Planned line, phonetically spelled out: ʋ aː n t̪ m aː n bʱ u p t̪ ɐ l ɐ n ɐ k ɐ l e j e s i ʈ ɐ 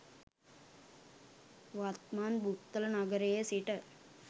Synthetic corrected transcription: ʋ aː t̪ m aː n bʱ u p t̪ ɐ l ɐ n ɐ ɡ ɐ ɾ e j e s i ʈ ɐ